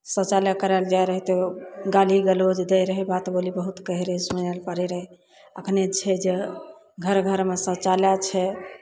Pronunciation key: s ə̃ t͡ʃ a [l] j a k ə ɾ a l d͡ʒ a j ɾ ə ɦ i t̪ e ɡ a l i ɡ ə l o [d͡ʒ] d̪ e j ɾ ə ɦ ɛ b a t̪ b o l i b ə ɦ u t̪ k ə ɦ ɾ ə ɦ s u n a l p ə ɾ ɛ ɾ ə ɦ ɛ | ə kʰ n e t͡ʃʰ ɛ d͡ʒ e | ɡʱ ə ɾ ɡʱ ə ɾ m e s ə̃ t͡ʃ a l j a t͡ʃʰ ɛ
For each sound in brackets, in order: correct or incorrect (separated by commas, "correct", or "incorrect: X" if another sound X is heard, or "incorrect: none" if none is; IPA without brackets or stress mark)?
correct, correct